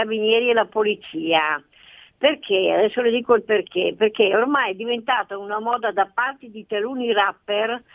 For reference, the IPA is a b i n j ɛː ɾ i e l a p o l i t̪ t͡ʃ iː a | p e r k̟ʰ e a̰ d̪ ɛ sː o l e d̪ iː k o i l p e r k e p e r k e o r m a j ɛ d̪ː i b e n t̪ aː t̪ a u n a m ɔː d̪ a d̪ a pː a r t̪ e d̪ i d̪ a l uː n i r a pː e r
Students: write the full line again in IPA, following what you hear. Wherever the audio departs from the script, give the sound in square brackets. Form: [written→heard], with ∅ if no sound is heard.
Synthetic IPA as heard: a b i n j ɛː ɾ i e l a p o l i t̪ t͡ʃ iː a | p e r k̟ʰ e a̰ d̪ ɛ sː o l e d̪ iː k o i l p e r k e p e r k e o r m a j ɛ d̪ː i [b→v] e n t̪ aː t̪ a u n a m ɔː d̪ a d̪ a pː a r t̪ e d̪ i [d̪→t̪] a l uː n i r a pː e r